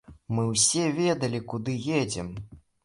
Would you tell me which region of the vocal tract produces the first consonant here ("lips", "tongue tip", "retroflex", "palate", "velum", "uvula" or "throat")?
lips